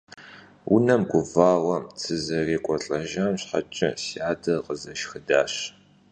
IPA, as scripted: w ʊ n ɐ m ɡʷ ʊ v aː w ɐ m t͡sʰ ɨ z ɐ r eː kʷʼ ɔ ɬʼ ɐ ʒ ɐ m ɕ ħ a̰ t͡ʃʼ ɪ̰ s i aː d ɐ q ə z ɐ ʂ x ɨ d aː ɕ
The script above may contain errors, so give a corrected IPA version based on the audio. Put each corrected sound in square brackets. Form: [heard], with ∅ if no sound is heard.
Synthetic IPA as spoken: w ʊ n ɐ m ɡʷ ʊ v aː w ɐ m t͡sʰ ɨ z ɐ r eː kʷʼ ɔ ɬʼ ɐ ʒ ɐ m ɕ ħ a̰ t͡ʃʼ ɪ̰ s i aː d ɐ q ə z ɐ [ʃ] x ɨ d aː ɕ